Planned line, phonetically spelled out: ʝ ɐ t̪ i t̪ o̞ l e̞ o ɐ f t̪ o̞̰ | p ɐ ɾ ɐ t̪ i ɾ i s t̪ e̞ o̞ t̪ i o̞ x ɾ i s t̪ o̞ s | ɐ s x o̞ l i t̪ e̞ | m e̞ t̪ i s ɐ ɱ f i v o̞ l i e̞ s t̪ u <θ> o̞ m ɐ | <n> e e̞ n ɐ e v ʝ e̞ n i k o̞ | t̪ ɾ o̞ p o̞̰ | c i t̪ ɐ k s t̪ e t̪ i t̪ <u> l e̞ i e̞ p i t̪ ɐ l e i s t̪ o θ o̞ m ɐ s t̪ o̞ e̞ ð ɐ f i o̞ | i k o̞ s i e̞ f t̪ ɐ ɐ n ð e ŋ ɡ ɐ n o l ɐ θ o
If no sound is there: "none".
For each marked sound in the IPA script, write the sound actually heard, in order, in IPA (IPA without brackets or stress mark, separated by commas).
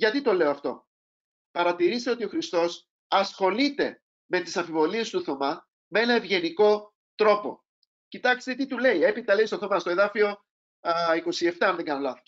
θ, m, u